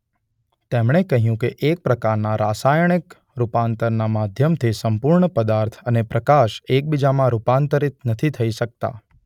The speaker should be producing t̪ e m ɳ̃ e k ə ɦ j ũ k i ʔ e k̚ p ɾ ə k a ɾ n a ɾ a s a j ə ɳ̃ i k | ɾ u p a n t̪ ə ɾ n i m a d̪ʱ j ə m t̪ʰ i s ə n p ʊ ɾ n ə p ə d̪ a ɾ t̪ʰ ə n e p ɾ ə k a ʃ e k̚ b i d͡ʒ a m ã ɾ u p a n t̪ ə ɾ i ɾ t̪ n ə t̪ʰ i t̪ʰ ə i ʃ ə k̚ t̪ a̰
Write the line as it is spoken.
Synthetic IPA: t̪ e m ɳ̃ e k ə ɦ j ũ k e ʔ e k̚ p ɾ ə k a ɾ n a ɾ a s a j ə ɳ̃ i k | ɾ u p a n t̪ ə ɾ n a m a d̪ʱ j ə m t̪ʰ i s ə m p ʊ ɾ ɳ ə p ə d̪ a ɾ t̪ʰ ə n e p ɾ ə k a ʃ e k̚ b i d͡ʒ a m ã ɾ u p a n t̪ ə ɾ i t̪ n ə t̪ʰ i t̪ʰ ə i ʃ ə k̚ t̪ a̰